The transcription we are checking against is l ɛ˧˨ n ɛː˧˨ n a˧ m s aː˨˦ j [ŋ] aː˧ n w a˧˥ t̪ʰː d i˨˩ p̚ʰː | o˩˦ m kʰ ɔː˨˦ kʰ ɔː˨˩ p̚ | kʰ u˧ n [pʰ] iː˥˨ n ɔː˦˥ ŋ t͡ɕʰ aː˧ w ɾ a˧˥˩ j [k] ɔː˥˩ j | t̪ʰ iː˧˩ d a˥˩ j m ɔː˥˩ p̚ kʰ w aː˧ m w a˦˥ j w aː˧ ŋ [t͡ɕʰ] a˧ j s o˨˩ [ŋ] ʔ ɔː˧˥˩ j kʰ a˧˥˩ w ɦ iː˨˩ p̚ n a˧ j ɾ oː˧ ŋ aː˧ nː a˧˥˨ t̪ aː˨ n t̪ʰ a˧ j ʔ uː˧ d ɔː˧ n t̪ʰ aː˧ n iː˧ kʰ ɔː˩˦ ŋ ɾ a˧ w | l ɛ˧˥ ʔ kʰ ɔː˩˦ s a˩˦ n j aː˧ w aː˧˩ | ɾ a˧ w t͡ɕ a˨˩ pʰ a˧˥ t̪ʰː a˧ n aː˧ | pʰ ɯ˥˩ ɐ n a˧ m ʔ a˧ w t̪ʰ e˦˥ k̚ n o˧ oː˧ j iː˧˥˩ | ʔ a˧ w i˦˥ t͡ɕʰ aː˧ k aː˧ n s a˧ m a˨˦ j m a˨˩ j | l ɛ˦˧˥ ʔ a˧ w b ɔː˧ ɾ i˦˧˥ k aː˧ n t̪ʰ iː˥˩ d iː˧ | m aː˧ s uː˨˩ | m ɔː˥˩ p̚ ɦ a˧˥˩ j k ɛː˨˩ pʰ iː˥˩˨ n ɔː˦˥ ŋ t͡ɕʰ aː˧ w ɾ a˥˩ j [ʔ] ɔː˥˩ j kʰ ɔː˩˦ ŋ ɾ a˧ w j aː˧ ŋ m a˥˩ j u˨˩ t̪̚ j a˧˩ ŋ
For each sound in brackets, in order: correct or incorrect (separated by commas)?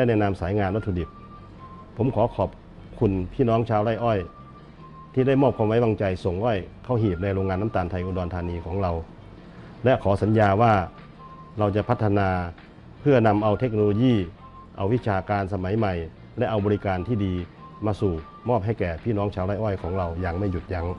correct, correct, incorrect, incorrect, correct, correct